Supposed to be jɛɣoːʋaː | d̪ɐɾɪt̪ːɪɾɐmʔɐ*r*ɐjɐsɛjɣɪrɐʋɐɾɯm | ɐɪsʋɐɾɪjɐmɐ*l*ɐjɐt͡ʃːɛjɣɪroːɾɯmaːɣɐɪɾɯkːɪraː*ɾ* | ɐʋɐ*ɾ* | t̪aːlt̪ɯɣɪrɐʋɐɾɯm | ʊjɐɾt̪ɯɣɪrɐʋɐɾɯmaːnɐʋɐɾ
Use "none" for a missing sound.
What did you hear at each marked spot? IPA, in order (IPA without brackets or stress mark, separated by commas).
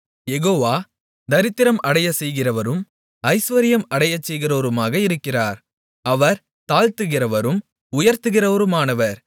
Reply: ɽ, ɽ, ɾ, ɾ